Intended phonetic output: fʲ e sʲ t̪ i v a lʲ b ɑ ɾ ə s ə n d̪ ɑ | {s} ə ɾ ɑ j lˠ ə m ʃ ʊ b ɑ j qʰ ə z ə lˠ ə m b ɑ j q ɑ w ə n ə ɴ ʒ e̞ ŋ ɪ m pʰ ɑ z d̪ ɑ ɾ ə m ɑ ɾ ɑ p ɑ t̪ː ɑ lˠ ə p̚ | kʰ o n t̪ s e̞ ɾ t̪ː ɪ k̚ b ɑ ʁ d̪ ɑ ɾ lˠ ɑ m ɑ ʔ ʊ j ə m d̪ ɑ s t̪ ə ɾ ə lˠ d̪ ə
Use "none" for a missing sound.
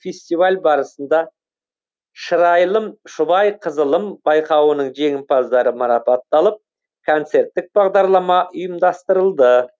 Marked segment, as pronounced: ʃ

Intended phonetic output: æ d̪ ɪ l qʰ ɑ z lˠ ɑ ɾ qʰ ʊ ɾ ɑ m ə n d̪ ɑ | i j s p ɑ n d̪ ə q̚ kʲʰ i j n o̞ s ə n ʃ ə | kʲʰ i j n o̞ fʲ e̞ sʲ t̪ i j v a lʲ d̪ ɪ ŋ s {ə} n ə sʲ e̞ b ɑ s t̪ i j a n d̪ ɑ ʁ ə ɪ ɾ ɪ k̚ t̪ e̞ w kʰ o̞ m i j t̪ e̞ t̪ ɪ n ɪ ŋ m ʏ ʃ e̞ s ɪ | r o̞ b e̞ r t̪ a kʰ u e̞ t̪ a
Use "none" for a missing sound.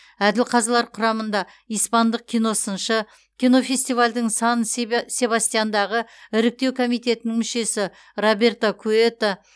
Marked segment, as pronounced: ɑ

